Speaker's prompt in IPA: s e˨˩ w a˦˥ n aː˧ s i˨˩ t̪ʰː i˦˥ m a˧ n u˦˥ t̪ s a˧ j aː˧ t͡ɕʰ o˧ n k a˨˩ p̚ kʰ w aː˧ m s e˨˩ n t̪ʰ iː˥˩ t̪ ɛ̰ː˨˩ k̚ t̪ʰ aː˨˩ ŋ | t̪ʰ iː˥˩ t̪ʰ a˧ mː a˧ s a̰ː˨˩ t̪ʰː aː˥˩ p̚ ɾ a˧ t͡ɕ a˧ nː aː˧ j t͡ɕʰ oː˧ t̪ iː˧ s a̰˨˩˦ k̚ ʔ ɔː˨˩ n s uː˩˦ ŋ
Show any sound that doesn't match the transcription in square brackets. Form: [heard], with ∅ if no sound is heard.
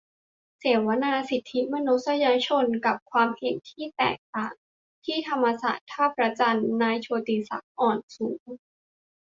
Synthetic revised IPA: s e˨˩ w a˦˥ n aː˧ s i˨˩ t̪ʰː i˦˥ m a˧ n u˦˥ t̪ s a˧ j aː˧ t͡ɕʰ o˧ n k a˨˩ p̚ kʰ w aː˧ m [h] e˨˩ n t̪ʰ iː˥˩ t̪ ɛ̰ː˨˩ k̚ [t̪] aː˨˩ ŋ | t̪ʰ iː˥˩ t̪ʰ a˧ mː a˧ s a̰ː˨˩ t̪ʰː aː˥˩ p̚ ɾ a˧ t͡ɕ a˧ nː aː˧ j t͡ɕʰ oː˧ t̪ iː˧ s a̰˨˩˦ k̚ ʔ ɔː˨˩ n s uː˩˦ ŋ